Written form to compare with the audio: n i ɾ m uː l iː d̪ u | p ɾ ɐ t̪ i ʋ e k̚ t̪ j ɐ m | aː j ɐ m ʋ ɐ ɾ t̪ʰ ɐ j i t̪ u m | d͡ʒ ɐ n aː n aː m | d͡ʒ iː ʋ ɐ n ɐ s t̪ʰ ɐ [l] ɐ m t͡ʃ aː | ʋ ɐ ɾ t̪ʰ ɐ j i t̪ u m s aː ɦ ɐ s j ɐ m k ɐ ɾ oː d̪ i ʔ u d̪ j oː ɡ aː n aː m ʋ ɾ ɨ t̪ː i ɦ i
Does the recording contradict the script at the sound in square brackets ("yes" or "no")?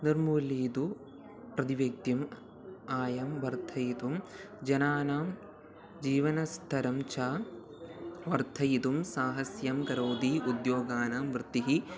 yes